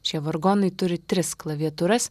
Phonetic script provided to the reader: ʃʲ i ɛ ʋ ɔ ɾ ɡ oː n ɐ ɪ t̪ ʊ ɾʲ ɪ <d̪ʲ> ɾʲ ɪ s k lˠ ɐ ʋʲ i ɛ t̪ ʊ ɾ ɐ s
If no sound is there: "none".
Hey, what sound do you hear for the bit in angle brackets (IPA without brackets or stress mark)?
t̪ʲ